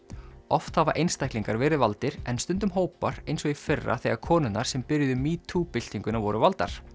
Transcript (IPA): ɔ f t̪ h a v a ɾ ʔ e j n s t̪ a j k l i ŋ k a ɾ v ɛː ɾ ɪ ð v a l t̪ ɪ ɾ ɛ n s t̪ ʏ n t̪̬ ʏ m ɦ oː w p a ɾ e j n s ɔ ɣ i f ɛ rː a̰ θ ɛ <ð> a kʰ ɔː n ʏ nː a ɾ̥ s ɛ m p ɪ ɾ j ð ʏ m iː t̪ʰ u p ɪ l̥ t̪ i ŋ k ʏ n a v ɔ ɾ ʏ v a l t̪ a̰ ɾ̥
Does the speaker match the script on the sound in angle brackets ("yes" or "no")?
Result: no